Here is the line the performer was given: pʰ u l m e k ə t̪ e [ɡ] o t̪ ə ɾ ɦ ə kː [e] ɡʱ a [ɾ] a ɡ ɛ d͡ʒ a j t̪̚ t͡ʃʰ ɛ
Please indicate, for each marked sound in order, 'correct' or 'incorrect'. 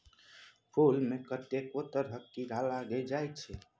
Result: incorrect: k, incorrect: i, incorrect: l

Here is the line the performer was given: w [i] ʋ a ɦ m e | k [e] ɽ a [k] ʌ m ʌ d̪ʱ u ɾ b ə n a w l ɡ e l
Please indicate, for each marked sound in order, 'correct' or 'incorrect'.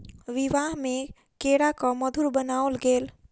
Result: correct, correct, correct

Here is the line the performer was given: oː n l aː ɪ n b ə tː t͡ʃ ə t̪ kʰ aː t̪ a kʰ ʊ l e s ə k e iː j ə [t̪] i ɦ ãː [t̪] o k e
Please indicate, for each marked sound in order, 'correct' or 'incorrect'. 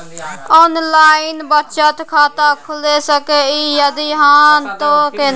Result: incorrect: d̪, correct

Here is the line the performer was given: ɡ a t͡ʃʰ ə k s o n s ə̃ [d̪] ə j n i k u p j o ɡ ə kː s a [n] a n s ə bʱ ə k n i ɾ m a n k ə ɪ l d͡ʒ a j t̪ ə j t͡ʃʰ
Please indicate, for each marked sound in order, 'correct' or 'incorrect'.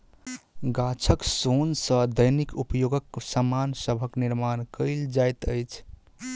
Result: correct, incorrect: m

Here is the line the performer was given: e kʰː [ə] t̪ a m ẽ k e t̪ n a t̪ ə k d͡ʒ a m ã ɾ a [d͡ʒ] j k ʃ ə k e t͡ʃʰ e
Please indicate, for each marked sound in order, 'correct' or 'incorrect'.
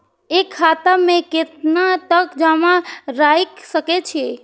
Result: incorrect: a, incorrect: none

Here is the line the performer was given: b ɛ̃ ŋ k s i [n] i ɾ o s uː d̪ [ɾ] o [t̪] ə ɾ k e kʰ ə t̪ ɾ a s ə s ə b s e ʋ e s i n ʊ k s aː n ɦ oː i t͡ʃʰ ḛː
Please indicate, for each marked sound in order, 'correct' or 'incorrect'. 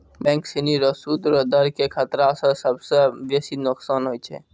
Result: correct, correct, incorrect: d̪

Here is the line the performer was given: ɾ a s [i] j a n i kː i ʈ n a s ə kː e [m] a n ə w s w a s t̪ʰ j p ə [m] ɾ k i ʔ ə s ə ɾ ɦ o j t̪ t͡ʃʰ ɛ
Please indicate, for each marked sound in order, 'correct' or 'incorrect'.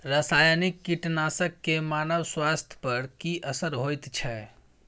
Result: incorrect: a, correct, incorrect: none

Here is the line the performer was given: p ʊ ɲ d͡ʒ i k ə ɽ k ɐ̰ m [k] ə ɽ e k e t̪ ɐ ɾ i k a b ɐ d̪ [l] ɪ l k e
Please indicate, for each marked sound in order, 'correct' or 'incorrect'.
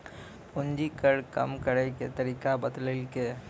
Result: correct, correct

